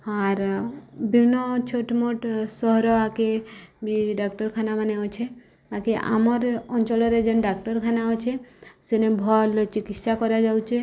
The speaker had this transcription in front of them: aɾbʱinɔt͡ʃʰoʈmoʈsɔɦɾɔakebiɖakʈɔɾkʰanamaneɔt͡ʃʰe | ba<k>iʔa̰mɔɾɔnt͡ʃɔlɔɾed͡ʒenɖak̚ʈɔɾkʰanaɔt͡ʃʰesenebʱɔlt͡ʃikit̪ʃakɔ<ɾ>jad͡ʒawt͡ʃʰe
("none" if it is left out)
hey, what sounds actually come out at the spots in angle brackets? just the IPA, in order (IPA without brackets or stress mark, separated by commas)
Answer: k, ɾ